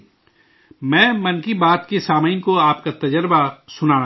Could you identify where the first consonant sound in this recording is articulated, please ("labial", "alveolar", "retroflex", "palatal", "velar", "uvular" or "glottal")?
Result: labial